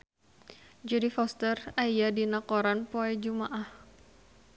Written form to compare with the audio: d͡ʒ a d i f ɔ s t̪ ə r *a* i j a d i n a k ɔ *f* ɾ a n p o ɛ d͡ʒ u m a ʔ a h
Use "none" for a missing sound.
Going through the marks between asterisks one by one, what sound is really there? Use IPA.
a, none

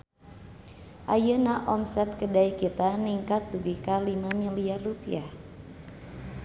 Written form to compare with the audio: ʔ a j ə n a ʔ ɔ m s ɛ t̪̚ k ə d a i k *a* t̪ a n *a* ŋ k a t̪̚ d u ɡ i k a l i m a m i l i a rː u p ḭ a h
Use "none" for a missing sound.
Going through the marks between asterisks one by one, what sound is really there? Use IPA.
i, i

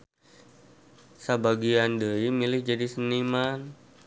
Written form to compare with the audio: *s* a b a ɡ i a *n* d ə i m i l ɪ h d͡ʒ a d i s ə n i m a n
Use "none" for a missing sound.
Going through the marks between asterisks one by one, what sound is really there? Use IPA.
s, n

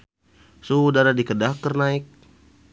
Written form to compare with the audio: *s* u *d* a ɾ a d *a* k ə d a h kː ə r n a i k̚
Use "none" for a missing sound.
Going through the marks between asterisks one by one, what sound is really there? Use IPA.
s, d, i

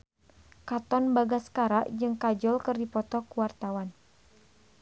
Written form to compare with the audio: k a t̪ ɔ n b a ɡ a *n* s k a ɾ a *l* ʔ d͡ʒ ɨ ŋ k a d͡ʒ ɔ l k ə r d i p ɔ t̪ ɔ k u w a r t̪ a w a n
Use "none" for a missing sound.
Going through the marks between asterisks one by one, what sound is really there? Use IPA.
none, none

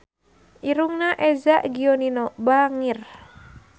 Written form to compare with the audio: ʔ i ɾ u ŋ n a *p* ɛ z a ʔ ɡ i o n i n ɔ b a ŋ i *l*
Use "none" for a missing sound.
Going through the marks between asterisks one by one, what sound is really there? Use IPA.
ʔ, r

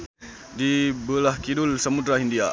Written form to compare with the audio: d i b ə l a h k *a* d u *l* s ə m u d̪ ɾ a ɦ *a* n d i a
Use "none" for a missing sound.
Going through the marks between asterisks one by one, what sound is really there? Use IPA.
i, l, i

